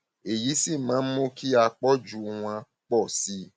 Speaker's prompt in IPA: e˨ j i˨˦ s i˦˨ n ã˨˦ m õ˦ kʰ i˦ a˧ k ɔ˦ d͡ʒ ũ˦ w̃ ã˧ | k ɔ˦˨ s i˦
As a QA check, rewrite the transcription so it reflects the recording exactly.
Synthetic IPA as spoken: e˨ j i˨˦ s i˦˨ m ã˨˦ m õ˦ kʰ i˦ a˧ k͡p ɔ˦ d͡ʒ u˦ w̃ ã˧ | k͡p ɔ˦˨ s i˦

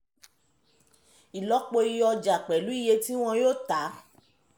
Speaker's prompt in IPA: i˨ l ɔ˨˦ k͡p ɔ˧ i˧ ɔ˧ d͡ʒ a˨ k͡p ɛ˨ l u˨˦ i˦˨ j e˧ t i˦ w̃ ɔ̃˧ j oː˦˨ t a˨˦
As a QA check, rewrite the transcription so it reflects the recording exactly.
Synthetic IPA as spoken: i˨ l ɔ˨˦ k͡p o˧ i˧ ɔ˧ d͡ʒ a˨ k͡p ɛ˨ l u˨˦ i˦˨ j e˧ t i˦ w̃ ɔ̃˧ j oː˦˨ t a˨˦

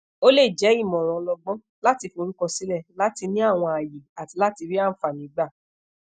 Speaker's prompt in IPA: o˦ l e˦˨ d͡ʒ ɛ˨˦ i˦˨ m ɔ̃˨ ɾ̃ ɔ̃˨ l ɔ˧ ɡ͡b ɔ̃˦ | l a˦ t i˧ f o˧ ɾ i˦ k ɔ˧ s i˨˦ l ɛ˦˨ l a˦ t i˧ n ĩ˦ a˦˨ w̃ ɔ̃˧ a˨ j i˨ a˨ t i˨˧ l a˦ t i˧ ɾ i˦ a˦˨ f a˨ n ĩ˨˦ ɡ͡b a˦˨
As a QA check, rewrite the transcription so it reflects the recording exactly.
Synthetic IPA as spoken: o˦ l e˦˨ d͡ʒ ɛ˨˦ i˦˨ m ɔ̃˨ ɾ̃ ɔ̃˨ l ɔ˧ ɡ͡b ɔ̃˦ | l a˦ t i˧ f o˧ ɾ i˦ k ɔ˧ s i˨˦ l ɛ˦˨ l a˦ t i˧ n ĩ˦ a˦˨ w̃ ɔ̃˧ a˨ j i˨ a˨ t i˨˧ l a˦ t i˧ ɾ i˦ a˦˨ f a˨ n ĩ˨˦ ɡ͡b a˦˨

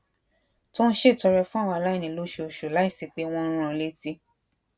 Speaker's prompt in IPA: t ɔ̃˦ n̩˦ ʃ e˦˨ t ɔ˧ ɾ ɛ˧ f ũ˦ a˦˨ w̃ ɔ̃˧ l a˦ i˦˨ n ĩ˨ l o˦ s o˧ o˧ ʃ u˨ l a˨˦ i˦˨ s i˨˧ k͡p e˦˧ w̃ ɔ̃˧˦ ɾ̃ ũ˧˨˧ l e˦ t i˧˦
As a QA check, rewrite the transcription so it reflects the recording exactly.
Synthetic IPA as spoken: t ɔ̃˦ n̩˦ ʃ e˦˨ t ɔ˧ ɾ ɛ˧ f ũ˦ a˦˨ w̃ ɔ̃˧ l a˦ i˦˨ n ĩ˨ l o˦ ʃ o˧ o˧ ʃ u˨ l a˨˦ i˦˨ s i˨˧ k͡p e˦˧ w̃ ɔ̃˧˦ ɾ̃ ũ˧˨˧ l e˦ t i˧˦

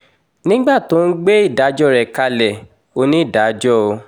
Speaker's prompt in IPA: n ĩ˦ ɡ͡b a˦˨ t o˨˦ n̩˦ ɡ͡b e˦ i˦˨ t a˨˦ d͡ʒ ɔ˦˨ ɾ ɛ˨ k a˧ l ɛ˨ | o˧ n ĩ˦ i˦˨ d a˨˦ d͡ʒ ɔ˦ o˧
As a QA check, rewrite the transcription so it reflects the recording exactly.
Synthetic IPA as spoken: n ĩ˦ ɡ͡b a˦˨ t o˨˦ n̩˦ ɡ͡b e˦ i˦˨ d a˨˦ d͡ʒ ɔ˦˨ ɾ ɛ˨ k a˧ l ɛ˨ | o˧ n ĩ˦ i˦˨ d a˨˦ d͡ʒ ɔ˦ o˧

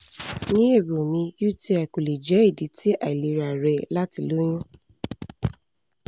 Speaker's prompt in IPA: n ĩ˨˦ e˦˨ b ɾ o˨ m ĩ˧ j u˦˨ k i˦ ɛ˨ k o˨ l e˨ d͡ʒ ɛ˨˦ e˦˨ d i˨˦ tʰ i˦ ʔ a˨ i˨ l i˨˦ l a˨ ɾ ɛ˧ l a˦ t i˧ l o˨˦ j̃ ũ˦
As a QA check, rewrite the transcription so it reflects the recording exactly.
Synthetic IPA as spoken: n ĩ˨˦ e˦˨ b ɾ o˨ m ĩ˧ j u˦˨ t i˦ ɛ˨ k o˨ l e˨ d͡ʒ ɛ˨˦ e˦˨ d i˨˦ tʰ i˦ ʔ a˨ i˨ l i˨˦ ɾ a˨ ɾ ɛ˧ l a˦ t i˧ l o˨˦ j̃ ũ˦

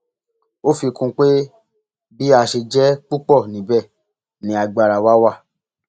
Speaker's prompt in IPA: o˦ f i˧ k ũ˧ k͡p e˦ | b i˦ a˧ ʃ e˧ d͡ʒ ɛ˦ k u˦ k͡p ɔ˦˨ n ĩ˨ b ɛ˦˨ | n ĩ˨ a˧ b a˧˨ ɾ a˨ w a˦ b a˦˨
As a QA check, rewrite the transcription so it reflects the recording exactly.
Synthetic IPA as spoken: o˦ f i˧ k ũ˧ k͡p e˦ | b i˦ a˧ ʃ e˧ d͡ʒ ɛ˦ k͡p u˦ k͡p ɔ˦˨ n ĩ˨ b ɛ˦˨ | n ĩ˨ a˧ ɡ͡b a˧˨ ɾ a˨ w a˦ w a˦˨

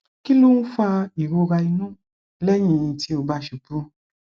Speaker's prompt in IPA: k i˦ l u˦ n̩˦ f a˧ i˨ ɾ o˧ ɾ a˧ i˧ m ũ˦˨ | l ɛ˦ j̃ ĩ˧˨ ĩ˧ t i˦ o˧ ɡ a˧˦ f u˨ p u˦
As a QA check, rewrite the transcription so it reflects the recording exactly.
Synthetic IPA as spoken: k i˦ l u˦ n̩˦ f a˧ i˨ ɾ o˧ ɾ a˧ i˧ n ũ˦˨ | l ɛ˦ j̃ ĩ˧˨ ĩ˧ t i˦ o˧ b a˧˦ ʃ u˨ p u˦

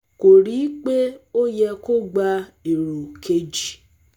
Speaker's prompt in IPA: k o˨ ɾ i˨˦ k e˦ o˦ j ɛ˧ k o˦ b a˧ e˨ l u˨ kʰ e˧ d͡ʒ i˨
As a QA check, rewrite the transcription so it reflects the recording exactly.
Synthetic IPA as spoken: k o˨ ɾ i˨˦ k͡p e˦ o˦ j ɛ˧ k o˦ ɡ͡b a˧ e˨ ɾ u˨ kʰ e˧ d͡ʒ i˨

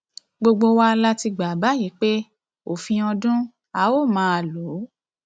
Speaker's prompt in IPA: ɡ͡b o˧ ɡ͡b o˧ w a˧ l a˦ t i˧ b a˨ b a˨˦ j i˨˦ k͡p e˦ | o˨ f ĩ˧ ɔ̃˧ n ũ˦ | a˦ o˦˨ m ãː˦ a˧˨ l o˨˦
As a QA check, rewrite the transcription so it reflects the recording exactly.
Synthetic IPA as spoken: ɡ͡b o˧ ɡ͡b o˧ w a˧ l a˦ t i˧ ɡ͡b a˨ b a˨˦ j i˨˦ k͡p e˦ | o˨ f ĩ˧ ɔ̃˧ d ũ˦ | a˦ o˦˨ m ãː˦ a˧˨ l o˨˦

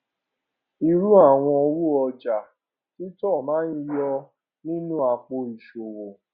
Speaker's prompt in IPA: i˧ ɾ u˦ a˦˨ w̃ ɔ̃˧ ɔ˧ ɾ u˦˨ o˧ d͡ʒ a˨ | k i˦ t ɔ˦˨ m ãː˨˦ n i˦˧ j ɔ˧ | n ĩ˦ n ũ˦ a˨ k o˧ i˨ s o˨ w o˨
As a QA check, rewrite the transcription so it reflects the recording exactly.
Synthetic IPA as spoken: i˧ ɾ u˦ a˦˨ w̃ ɔ̃˧ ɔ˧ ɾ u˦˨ ɔ˧ d͡ʒ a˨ | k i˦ t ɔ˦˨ m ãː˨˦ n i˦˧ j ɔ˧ | n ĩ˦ n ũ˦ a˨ k͡p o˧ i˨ ʃ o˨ w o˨

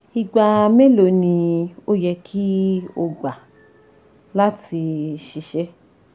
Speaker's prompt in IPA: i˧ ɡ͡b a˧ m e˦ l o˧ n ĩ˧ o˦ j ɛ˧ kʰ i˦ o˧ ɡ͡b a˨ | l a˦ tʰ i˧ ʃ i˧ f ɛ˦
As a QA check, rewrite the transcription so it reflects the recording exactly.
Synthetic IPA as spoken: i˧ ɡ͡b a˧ m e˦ l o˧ n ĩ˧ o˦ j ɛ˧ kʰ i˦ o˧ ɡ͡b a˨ | l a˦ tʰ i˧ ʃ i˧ ʃ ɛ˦

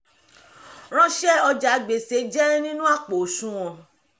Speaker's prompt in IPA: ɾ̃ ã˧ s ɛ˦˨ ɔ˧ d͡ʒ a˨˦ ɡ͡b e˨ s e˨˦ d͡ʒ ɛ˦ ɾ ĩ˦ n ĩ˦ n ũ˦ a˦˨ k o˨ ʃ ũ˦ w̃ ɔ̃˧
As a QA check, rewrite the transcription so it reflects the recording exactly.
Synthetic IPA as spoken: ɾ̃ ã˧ ʃ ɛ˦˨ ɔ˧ d͡ʒ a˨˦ ɡ͡b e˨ s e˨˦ d͡ʒ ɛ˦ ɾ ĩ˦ n ĩ˦ n ũ˦ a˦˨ k͡p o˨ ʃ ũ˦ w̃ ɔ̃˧

